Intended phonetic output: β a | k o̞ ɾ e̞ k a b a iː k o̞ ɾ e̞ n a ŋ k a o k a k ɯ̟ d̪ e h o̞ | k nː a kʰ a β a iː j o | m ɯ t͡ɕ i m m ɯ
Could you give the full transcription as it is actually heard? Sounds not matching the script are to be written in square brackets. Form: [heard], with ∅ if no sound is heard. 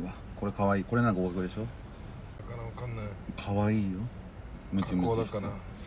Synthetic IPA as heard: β a | k o̞ ɾ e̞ k a [β] a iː k o̞ ɾ e̞ n a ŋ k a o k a k ɯ̟ d̪ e [ɕ] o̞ | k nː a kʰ a β a iː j o | m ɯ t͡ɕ i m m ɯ